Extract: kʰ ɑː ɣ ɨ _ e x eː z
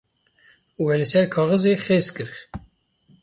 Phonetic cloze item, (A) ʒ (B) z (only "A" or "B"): B